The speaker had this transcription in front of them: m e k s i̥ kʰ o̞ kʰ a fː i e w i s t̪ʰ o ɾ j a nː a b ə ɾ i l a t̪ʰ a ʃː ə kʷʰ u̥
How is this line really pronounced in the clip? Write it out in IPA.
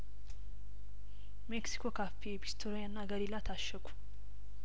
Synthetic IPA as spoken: m e k s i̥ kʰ o̞ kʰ a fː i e b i s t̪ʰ o ɾ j a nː a ɡ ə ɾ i l a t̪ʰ a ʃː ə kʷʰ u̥